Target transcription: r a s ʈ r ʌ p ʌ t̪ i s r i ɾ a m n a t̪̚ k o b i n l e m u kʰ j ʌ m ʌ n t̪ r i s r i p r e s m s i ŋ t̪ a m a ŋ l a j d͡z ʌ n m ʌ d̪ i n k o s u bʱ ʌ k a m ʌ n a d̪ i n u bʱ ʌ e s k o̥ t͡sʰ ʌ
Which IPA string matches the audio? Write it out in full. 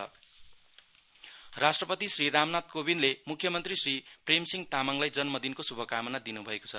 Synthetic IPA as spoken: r a s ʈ r ʌ p ʌ t̪ i s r i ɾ a m n a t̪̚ k o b i n l e m u kʰ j ʌ m ʌ n t̪ r i s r i p r e m s i ŋ t̪ a m a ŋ l a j d͡z ʌ n m ʌ d̪ i n k o s u bʱ ʌ k a m ʌ n a d̪ i n u bʱ ʌ e k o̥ t͡sʰ ʌ